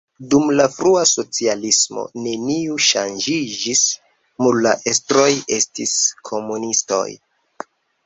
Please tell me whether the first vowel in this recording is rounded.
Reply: yes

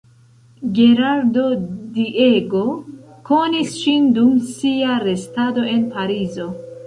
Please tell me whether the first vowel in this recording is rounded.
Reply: no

